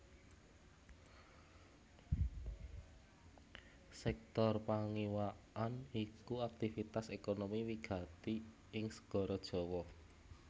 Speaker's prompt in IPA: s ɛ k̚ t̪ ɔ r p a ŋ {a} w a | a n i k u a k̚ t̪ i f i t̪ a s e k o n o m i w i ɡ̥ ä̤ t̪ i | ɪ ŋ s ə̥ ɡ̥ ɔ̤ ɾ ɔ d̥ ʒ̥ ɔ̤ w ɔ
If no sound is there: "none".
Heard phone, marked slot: i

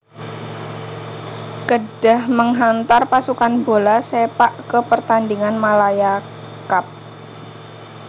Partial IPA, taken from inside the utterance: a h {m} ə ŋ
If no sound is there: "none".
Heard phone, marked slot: m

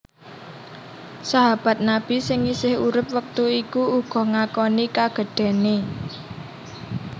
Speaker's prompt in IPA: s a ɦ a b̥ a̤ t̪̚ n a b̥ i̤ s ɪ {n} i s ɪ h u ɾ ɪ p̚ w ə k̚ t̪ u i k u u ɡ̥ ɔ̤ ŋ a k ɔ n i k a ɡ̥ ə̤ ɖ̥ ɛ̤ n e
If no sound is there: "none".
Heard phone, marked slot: ŋ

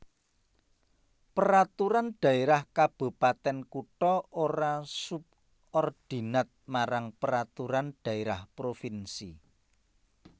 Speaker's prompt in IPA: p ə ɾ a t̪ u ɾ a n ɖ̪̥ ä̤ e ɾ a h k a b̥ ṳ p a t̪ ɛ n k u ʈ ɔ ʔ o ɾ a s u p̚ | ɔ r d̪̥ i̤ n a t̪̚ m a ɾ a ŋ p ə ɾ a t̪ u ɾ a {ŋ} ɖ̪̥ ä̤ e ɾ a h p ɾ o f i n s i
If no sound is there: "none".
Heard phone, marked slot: n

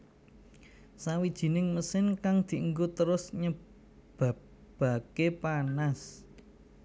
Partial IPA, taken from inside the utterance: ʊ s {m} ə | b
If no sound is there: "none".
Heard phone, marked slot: ɲ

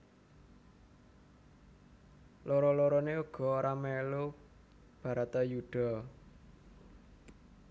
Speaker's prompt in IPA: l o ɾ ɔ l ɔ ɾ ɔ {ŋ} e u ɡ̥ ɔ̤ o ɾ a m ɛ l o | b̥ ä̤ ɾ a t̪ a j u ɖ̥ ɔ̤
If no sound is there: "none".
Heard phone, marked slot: n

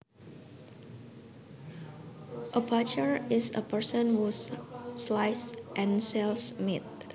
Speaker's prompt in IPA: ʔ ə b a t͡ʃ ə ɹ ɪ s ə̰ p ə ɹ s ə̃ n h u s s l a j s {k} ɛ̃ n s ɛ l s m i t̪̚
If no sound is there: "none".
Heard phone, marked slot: ʔ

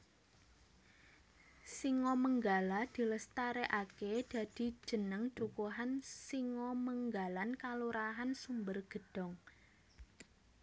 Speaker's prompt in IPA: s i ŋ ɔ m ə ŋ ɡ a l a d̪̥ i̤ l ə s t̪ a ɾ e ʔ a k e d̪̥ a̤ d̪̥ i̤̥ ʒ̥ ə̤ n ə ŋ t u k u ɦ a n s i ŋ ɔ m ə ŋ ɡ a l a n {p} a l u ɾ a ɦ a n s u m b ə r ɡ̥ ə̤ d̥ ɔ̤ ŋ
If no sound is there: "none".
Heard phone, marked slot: k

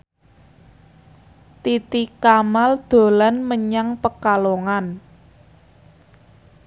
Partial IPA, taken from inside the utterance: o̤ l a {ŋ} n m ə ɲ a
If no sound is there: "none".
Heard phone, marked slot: none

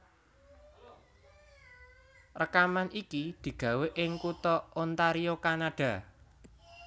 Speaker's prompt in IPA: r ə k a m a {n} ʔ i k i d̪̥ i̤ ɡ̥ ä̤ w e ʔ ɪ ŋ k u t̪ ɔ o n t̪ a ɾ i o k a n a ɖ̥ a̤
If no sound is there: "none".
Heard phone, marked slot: n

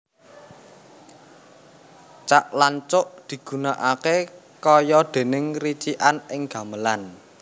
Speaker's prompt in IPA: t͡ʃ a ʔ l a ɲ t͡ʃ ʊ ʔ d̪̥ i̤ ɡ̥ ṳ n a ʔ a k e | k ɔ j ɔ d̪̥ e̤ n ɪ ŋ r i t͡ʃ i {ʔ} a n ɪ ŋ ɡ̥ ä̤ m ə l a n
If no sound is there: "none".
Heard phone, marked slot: ʔ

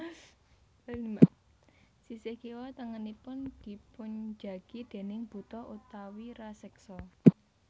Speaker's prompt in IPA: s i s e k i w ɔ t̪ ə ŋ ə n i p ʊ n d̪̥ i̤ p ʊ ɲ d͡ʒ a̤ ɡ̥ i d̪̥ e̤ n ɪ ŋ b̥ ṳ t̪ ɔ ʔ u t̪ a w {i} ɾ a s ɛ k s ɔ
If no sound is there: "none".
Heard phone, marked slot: i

